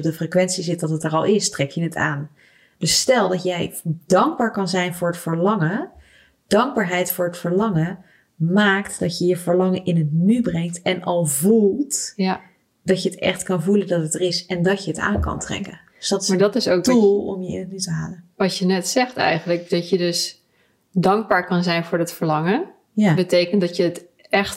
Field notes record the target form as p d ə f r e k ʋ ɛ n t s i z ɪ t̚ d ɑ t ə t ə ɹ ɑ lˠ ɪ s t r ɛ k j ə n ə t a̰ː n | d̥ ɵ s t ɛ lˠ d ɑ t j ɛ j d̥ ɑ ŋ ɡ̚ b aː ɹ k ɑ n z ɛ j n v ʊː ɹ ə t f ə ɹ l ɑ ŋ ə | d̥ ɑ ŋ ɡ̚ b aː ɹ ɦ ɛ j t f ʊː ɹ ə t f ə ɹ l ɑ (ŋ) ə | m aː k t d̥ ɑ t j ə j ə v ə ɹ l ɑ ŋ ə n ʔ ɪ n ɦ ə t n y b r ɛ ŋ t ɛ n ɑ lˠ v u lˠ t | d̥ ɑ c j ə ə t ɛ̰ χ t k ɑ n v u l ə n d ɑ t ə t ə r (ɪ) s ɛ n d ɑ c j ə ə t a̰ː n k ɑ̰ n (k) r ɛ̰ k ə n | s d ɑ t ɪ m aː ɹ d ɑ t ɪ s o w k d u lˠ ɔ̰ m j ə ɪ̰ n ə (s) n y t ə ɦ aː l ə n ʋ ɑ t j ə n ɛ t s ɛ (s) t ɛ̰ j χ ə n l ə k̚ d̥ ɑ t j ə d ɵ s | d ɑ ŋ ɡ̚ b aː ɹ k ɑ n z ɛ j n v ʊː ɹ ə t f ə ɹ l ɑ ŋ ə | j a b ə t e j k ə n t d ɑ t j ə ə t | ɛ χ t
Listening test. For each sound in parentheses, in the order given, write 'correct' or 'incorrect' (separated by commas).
correct, correct, incorrect, incorrect, incorrect